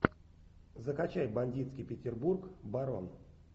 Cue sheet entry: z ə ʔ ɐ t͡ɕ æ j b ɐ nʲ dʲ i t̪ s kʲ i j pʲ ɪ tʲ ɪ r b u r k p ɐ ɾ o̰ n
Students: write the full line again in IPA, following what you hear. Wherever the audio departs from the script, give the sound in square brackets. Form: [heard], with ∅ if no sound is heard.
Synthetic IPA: z ə [k] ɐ t͡ɕ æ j b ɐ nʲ dʲ i t̪ s kʲ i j pʲ ɪ tʲ ɪ r b u r k [b] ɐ ɾ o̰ n

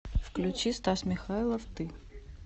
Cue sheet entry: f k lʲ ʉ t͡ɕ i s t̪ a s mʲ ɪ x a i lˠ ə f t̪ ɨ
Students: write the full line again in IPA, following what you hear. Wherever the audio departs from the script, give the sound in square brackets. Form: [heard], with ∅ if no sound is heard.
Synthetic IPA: f k lʲ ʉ t͡ɕ i s t̪ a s mʲ ɪ x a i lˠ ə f t̪ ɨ

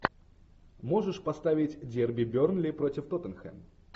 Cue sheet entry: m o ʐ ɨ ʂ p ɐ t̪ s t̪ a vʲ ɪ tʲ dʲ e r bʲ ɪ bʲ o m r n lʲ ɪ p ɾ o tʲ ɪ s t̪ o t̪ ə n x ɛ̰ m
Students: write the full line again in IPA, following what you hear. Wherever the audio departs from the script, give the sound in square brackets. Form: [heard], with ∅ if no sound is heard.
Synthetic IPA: m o ʐ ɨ ʂ p ɐ [∅] s t̪ a vʲ ɪ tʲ dʲ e r bʲ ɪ bʲ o [∅] r n lʲ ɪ p ɾ o tʲ ɪ [f] t̪ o t̪ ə n x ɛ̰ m

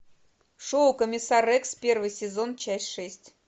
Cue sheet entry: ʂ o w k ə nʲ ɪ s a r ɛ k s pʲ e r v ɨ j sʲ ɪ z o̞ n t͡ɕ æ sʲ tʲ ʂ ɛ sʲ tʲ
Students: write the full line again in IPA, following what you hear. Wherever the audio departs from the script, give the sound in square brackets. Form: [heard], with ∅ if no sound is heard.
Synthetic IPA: ʂ o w k ə [mʲ] ɪ s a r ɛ k s pʲ e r v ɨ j sʲ ɪ z o̞ n t͡ɕ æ sʲ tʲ ʂ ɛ sʲ tʲ

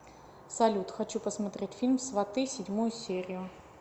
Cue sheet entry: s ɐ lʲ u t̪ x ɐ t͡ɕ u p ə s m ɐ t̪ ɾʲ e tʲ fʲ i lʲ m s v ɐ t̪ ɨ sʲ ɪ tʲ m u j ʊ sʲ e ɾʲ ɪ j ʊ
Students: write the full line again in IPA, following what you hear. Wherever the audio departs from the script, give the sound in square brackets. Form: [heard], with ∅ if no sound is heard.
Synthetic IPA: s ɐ lʲ u t̪ x ɐ t͡ɕ u p ə s m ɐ t̪ ɾʲ e tʲ fʲ i lʲ m s v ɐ t̪ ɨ sʲ ɪ [dʲ] m u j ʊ sʲ e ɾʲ ɪ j ʊ

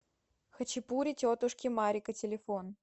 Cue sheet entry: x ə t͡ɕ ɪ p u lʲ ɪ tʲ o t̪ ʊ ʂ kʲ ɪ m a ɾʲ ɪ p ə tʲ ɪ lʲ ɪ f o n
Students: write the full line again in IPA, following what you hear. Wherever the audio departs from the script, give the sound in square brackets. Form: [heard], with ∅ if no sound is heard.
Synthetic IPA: x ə t͡ɕ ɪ p u [ɾʲ] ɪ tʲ o t̪ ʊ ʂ kʲ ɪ m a ɾʲ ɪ [k] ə tʲ ɪ lʲ ɪ f o n

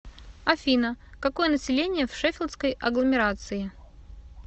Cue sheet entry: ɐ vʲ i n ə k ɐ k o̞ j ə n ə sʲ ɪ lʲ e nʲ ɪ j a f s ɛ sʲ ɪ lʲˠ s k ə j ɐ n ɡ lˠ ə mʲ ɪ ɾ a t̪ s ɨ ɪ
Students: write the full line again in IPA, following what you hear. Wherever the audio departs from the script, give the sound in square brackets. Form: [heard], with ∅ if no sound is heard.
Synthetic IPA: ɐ [fʲ] i n ə k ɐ k o̞ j ə n ə sʲ ɪ lʲ e nʲ ɪ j [ə] f [ʂ] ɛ [fʲ] ɪ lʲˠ s k ə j ɐ [∅] ɡ lˠ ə mʲ ɪ ɾ a t̪ s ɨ ɪ

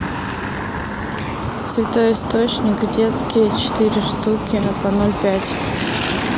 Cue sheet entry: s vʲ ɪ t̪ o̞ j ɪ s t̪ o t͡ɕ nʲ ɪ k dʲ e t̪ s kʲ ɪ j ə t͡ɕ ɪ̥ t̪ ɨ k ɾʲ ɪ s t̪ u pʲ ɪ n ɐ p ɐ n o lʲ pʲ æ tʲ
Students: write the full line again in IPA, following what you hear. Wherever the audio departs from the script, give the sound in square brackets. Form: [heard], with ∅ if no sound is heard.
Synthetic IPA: s vʲ ɪ t̪ o̞ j ɪ s t̪ o t͡ɕ nʲ ɪ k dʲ e t̪ s kʲ ɪ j ə t͡ɕ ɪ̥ t̪ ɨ [∅] ɾʲ ɪ [ʂ] t̪ u [kʲ] ɪ n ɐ p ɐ n o lʲ pʲ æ tʲ

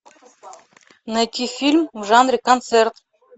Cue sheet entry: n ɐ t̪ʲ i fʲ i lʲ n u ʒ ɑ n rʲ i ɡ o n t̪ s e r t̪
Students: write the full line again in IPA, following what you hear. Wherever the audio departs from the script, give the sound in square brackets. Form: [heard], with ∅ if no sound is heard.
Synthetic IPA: n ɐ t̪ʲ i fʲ i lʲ [m] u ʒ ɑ n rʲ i [k] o n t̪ s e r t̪

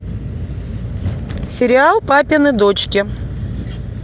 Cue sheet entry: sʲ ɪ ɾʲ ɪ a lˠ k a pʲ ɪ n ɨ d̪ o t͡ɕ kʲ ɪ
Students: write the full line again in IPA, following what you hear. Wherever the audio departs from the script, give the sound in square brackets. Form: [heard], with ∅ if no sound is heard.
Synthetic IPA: sʲ ɪ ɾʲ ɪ a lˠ [p] a pʲ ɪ n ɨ d̪ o t͡ɕ kʲ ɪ

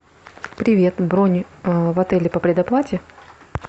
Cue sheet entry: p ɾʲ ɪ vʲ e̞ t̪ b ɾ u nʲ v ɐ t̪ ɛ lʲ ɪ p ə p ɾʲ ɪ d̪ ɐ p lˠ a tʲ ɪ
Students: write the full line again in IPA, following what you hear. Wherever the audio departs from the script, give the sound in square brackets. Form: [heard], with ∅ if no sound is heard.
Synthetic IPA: p ɾʲ ɪ vʲ e̞ t̪ b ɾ [o] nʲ v ɐ t̪ ɛ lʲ ɪ p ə p ɾʲ ɪ d̪ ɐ p lˠ a tʲ ɪ

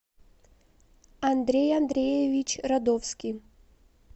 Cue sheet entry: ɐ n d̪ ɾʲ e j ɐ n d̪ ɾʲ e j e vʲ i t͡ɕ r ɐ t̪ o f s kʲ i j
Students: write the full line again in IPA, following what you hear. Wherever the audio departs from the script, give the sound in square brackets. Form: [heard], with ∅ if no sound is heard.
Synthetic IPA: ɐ n d̪ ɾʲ e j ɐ n d̪ ɾʲ e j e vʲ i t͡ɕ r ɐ [d̪] o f s kʲ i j

